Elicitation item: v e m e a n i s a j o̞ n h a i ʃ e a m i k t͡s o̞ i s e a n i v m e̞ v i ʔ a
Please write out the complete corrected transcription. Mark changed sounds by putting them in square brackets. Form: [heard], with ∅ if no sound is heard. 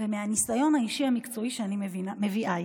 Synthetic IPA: v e m e a n i s a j o̞ n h a i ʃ [i] a m i k t͡s o̞ i [ʃ] e a n i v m e̞ v i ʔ a